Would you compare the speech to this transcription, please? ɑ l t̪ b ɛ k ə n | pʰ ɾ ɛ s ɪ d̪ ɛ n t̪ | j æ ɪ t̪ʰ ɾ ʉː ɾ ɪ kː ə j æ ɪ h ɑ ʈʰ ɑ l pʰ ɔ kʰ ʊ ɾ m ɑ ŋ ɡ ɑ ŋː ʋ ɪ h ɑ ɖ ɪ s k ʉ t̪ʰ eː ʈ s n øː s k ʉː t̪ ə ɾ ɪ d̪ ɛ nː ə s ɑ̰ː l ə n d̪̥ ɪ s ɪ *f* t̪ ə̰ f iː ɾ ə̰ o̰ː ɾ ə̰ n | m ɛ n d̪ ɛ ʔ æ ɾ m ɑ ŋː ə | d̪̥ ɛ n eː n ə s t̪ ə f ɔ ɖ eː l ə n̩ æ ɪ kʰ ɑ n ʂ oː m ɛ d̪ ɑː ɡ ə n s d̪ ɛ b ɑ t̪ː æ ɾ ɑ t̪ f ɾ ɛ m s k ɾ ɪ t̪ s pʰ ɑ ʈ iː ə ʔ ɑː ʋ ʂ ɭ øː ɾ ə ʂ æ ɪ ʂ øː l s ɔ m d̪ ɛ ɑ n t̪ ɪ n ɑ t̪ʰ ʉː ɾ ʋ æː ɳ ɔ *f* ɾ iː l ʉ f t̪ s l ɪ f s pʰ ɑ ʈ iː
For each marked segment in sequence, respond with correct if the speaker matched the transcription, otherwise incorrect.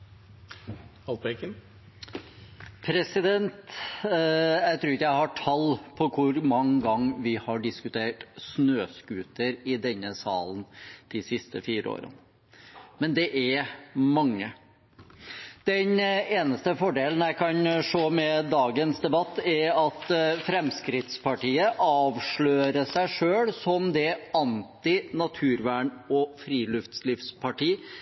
incorrect, correct

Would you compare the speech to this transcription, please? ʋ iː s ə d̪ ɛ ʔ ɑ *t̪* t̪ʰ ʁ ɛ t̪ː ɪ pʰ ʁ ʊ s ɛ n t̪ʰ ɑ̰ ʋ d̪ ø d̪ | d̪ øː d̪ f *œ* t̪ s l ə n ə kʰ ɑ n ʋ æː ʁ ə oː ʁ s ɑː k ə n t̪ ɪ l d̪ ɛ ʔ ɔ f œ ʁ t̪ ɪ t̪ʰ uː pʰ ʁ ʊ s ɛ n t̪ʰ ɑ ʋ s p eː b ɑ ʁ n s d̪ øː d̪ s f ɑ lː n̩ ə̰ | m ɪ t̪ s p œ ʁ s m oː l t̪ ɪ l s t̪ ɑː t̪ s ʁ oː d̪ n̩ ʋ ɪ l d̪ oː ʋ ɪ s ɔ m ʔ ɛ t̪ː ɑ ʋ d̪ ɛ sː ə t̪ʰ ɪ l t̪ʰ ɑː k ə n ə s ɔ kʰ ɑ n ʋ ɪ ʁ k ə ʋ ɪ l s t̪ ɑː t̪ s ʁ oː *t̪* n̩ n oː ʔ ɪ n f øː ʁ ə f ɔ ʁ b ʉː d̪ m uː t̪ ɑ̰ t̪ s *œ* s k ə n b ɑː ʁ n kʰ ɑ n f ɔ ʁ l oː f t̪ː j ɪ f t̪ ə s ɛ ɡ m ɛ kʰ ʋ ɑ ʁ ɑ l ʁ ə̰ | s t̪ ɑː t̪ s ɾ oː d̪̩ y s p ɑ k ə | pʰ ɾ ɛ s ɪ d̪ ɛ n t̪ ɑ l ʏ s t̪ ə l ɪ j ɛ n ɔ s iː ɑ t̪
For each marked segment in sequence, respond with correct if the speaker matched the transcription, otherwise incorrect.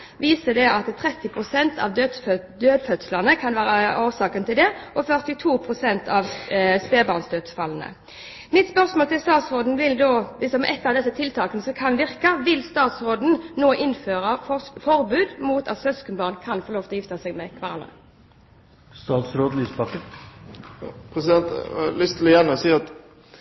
correct, correct, incorrect, correct

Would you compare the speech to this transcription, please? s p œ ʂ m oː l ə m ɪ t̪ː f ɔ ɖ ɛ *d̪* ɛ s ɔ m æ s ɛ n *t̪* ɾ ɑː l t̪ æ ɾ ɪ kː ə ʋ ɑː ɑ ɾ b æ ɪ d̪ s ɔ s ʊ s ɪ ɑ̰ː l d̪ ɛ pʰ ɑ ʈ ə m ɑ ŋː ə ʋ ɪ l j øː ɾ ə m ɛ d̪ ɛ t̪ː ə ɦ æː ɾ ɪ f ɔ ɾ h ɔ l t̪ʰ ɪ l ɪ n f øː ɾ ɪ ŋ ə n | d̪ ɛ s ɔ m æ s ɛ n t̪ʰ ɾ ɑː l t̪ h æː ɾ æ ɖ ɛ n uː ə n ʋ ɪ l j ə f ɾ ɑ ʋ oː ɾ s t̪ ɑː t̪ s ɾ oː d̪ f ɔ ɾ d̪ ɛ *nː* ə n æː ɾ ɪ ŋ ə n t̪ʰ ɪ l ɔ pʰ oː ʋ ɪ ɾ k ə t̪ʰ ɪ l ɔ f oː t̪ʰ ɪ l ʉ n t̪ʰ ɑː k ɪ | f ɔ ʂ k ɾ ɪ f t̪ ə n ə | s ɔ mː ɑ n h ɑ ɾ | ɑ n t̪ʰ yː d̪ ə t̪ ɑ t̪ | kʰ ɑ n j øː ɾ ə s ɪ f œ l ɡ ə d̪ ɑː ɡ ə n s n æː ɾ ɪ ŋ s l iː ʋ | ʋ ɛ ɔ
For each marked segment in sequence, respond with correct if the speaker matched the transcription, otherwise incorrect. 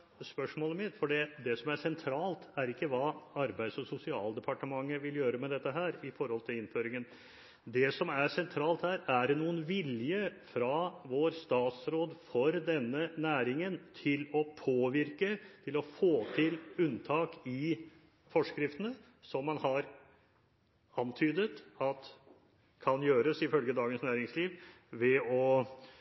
correct, incorrect, correct

